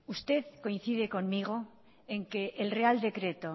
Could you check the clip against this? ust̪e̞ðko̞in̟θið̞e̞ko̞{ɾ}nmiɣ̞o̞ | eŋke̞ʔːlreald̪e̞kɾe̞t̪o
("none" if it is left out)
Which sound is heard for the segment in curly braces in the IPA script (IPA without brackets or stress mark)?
none